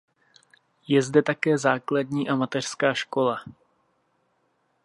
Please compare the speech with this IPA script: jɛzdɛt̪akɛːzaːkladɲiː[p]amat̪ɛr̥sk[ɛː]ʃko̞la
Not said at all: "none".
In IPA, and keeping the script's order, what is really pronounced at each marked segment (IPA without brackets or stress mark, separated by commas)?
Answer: ʔ, aː